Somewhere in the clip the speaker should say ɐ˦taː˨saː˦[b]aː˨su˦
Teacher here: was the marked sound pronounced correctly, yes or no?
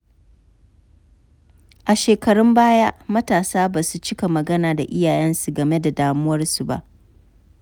yes